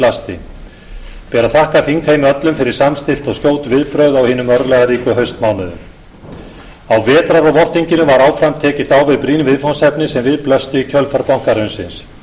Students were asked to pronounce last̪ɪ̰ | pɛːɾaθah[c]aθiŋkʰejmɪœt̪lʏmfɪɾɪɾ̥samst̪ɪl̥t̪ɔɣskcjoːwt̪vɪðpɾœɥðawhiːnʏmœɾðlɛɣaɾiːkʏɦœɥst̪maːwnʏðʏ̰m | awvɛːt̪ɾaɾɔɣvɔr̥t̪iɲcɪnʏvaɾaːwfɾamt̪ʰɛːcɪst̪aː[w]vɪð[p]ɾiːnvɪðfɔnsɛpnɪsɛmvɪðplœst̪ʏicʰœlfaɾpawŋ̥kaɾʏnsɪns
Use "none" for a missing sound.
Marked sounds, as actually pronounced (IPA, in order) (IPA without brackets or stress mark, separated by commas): k, w, p